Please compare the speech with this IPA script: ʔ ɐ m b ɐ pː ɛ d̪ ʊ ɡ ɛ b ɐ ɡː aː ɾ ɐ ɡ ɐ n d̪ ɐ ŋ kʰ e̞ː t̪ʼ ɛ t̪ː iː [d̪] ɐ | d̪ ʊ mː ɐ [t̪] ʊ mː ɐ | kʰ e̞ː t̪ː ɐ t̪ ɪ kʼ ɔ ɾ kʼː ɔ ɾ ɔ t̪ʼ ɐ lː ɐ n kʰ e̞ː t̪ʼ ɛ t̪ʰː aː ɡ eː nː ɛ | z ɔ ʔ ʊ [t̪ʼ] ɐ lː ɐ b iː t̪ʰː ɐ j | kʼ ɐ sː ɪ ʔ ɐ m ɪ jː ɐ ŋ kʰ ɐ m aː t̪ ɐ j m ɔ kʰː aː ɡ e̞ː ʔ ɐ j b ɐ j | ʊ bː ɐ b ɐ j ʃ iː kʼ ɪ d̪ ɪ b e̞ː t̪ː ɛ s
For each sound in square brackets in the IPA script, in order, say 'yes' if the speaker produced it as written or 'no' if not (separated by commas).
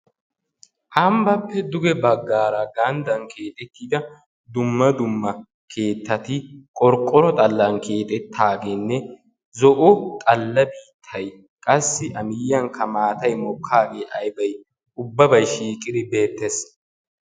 yes, no, yes